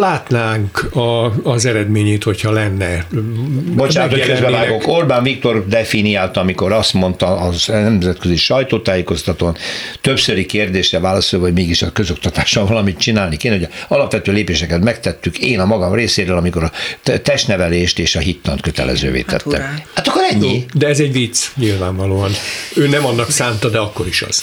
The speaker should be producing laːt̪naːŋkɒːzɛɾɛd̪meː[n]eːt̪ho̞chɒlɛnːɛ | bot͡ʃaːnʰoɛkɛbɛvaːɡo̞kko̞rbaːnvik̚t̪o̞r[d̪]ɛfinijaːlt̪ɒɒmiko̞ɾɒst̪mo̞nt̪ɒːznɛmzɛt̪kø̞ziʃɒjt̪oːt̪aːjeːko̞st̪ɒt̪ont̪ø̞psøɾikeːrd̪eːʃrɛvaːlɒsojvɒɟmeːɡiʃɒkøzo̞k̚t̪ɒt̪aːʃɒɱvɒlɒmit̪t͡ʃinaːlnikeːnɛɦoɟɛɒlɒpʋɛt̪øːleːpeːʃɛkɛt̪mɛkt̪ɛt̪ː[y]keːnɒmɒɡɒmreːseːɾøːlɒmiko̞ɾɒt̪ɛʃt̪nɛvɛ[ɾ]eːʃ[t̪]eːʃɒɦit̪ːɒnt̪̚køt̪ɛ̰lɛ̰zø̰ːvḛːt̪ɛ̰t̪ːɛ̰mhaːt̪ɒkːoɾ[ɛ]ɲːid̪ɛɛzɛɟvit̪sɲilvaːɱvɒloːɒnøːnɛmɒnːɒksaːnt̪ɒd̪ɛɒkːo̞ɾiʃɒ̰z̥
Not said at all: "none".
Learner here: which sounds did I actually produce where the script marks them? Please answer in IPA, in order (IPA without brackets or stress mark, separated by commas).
ɲ, d̪, y, l, t̪, ɛ